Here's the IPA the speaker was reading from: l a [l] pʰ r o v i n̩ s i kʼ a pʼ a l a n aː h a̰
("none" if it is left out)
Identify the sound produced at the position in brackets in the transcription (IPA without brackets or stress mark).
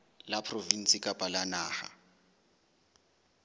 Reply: none